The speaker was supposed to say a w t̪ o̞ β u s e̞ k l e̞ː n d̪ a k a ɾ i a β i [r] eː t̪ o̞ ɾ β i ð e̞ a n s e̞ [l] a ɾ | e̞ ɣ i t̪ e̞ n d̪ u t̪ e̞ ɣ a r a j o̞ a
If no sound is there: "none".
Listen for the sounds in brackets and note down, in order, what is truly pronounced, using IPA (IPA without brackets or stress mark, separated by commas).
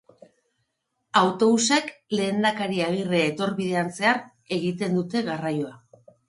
r, none